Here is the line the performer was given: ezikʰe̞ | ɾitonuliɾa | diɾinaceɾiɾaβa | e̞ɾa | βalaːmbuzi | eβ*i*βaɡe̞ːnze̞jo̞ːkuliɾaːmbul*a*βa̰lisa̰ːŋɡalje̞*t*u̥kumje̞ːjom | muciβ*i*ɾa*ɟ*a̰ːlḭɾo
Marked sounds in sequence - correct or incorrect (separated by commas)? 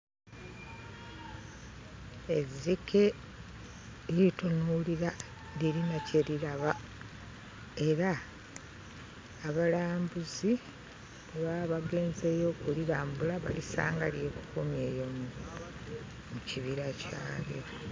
incorrect, correct, incorrect, correct, incorrect